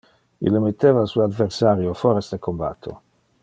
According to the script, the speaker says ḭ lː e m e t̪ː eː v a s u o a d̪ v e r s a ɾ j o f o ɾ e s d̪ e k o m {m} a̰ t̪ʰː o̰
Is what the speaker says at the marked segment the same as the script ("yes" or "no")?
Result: no